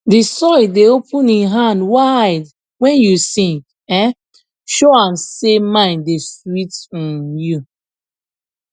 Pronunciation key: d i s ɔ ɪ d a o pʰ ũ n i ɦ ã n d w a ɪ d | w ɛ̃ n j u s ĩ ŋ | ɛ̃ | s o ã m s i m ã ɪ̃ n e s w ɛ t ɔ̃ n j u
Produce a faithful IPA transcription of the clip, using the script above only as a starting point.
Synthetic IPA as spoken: d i s ɔ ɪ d e o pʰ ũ n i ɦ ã n d w a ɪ d | w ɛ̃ n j u s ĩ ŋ | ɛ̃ | ʃ o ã m s e m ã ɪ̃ n e s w i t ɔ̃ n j u